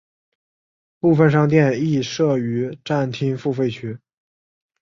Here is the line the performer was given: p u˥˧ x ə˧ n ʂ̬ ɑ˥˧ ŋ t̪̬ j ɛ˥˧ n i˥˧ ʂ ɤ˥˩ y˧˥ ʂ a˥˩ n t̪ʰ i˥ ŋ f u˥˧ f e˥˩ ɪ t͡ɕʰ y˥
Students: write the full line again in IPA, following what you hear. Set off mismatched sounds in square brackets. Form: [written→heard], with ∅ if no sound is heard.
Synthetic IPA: p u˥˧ [x→f] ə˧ n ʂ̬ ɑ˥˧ ŋ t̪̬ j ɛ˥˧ n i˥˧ ʂ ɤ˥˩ y˧˥ [ʂ→ʈ͡ʂ] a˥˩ n t̪ʰ i˥ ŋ f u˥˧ f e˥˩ ɪ t͡ɕʰ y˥